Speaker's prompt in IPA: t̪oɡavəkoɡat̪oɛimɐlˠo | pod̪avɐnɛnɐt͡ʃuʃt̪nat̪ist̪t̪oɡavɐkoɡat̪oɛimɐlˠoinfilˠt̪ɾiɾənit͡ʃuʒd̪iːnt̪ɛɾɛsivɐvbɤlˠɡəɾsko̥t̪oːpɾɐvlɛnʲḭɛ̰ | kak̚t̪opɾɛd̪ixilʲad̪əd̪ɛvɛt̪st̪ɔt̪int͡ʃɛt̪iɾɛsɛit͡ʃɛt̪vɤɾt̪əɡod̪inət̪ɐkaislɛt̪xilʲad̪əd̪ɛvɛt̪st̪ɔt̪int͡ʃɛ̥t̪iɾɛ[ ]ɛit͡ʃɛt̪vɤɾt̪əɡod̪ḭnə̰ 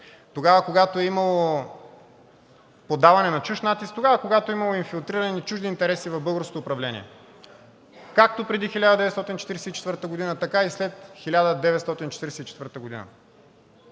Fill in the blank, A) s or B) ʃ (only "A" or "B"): A